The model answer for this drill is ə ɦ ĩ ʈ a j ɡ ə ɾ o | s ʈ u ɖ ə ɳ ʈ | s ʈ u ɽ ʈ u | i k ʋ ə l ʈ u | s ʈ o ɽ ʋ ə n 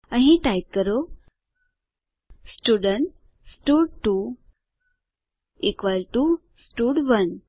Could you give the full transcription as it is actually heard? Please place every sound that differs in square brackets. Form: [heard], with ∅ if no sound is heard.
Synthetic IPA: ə ɦ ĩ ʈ a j [k] ə ɾ o | s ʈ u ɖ ə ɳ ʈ | s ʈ u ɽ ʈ u | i k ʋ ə l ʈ u | s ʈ [u] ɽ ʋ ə n